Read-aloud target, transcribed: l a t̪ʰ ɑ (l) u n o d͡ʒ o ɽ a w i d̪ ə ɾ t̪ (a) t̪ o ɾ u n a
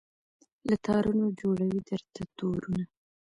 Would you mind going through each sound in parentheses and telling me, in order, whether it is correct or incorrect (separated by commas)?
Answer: incorrect, correct